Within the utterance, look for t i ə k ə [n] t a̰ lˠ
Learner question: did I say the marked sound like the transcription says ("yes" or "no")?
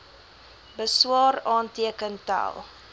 yes